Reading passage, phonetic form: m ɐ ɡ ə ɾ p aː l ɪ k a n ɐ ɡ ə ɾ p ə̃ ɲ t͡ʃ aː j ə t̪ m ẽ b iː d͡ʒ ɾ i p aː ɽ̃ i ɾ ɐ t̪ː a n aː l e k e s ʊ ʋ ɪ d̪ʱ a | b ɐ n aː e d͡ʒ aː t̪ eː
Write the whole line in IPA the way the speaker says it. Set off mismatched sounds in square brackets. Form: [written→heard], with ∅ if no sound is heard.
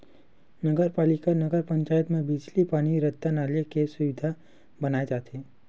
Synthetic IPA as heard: [m→n] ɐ ɡ ə ɾ p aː l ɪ k a n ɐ ɡ ə ɾ p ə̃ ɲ t͡ʃ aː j ə t̪ m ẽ b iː d͡ʒ [ɾ→l] i p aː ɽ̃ i ɾ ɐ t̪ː a n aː l e k e s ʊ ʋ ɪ d̪ʱ a | b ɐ n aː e d͡ʒ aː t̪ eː